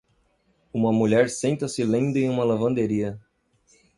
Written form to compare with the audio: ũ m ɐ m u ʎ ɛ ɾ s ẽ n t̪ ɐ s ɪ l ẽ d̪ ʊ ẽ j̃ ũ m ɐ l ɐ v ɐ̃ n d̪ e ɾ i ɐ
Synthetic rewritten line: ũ m ɐ m u ʎ ɛ ɾ s ẽ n t̪ ɐ s ɪ l ẽ d̪ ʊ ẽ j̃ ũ m ɐ l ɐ v ɐ̃ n d̪ e ɾ i ɐ